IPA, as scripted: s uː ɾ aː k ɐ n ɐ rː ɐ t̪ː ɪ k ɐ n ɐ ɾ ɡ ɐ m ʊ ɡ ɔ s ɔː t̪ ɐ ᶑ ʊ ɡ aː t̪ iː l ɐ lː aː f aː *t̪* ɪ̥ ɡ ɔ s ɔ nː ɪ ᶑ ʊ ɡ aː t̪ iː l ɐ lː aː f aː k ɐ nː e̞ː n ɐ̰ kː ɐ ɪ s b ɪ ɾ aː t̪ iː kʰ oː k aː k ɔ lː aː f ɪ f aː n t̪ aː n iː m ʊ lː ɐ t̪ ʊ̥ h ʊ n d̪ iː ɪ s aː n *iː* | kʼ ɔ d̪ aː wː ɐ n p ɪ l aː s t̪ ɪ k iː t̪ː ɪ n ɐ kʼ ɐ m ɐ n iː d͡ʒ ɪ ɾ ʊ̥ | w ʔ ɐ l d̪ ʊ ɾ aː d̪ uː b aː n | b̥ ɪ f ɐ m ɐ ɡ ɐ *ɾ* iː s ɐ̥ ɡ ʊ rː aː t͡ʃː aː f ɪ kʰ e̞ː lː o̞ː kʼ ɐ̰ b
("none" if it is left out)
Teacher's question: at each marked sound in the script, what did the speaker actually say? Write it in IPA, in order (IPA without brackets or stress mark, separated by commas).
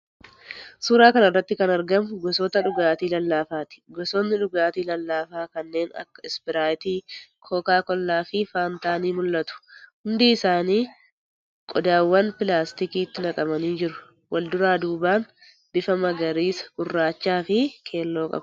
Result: t̪, iː, ɾ